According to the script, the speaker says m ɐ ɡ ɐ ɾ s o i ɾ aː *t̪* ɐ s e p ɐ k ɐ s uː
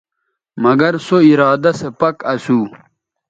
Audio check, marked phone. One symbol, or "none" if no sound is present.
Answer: d̪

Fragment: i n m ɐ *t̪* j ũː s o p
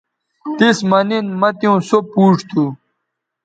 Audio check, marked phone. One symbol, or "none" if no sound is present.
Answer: t̪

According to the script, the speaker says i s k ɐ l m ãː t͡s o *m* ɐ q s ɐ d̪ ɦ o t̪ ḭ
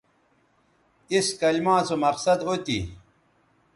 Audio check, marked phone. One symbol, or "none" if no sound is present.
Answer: m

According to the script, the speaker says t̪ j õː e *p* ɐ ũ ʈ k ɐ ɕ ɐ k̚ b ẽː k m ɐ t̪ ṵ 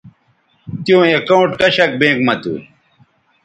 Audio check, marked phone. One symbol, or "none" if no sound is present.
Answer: k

